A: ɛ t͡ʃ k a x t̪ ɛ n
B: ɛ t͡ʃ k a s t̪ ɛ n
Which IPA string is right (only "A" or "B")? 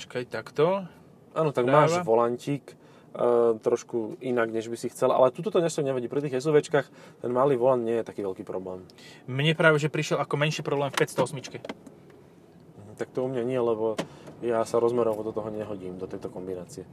A